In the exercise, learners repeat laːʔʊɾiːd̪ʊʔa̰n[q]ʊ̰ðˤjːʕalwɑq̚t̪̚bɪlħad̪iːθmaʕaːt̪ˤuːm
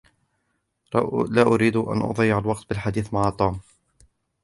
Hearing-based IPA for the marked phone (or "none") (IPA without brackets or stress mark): ʔ